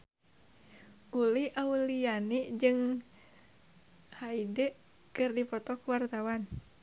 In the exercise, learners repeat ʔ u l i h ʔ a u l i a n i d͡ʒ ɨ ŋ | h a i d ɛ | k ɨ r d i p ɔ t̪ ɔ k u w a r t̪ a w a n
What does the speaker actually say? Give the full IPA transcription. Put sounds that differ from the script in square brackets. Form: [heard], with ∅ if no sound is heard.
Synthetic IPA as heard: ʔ u l i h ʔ a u l i a n i d͡ʒ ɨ ŋ | h a i d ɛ | k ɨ r d i p ɔ t̪ ɔ k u w a r t̪ a w a n